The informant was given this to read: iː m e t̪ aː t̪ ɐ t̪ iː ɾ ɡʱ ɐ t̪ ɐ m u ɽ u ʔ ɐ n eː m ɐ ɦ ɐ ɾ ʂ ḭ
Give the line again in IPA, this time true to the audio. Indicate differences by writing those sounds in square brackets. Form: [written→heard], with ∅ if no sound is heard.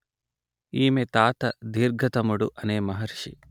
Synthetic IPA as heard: iː m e t̪ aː t̪ ɐ [t̪→d̪] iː ɾ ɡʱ ɐ t̪ ɐ m u ɽ u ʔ ɐ n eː m ɐ ɦ ɐ ɾ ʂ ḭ